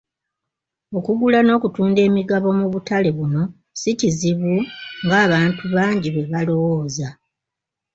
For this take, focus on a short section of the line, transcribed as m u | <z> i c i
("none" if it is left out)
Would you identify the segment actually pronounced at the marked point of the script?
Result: s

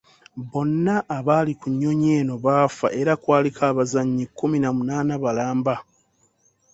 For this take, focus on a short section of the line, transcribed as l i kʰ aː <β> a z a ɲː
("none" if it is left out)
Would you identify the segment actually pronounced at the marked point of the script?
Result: β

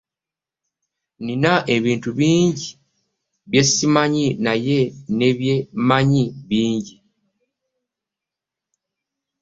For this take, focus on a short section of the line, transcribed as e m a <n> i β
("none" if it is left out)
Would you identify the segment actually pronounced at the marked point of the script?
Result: ɲ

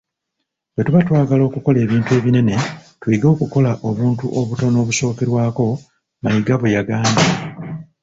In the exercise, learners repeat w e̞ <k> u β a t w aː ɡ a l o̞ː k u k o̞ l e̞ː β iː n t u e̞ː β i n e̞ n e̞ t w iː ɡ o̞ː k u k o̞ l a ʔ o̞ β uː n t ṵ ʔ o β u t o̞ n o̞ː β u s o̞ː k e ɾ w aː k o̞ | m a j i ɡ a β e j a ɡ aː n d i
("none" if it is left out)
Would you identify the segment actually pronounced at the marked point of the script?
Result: t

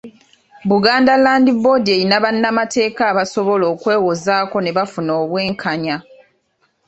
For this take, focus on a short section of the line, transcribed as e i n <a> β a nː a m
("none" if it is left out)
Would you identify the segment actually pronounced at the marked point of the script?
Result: a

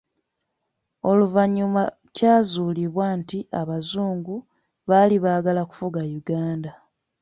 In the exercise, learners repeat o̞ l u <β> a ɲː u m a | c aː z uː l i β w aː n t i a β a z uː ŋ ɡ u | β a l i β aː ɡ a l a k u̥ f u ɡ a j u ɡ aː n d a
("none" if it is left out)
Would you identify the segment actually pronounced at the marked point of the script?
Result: v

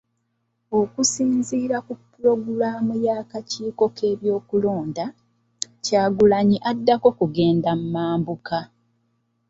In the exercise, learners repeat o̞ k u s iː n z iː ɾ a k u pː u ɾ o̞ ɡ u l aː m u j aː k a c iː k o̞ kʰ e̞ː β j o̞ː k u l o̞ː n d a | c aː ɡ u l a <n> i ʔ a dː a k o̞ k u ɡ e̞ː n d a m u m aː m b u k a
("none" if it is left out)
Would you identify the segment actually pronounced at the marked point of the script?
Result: ɲ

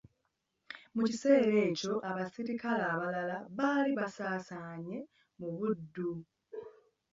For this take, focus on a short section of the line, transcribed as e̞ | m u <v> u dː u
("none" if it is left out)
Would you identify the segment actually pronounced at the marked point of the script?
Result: β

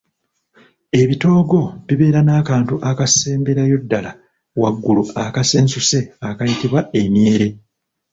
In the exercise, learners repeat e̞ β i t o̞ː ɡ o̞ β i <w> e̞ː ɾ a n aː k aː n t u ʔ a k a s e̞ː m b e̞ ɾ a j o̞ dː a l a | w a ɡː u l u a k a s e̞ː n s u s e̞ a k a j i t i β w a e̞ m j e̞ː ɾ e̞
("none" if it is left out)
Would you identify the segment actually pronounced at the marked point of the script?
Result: β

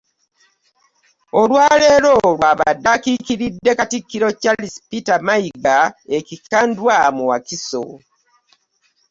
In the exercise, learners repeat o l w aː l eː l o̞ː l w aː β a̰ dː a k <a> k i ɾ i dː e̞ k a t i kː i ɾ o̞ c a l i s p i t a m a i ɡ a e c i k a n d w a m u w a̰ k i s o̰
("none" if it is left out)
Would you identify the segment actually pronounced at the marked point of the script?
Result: i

